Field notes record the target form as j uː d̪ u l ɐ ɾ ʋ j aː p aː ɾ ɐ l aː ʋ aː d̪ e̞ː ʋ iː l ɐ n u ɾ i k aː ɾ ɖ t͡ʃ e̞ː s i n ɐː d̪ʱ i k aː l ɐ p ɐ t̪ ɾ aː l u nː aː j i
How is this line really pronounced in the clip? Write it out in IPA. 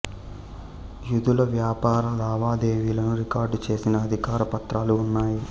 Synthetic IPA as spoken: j u d̪ u l ɐ ʋ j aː p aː ɾ ɐ l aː ʋ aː d̪ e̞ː ʋ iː l ɐ n u ɾ i k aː ɾ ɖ t͡ʃ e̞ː s i n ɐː d̪ʱ i k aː ɾ ɐ p ɐ t̪ ɾ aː l uː nː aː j i